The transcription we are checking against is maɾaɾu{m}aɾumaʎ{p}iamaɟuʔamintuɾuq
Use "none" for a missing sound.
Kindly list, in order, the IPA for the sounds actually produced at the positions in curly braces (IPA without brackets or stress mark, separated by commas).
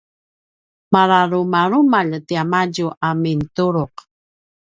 m, t